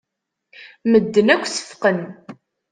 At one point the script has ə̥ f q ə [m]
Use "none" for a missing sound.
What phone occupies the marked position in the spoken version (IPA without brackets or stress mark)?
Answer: n